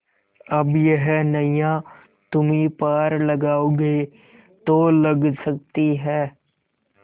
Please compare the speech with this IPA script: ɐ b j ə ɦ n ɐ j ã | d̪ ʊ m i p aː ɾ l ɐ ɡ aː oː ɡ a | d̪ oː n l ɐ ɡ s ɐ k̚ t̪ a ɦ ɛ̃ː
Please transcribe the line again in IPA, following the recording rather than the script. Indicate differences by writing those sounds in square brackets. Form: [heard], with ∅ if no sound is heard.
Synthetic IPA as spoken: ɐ b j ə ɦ n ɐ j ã | [t̪] ʊ m i p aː ɾ l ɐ ɡ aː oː ɡ [e] | [t̪] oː [∅] l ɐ ɡ s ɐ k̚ t̪ [i] ɦ [ɛː]